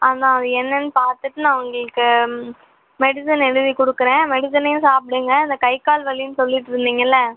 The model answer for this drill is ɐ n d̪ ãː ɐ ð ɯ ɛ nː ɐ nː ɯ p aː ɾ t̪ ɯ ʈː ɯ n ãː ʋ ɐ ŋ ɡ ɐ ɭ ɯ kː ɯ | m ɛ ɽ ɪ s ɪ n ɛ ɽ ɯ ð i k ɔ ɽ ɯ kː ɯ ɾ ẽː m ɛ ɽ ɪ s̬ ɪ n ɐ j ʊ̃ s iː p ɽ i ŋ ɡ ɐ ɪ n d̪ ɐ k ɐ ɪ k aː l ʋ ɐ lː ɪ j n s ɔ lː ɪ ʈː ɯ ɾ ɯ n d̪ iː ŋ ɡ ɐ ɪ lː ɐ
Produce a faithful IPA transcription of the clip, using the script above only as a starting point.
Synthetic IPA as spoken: ɐ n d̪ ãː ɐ ð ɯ ɛ nː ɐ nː ɯ p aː ɾ t̪ ɯ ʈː ɯ n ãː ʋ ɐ ŋ ɡ ɐ ɭ ɯ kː ɯ | m ɛ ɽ ɪ s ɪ n ɛ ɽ ɯ ð i k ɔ ɽ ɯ kː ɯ ɾ ẽː m ɛ ɽ ɪ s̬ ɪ n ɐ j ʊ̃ s aː p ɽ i ŋ ɡ ɐ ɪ n d̪ ɐ k ɐ ɪ k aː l ʋ ɐ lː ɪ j n s ɔ lː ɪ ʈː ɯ ɾ ɯ n d̪ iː ŋ ɡ ɐ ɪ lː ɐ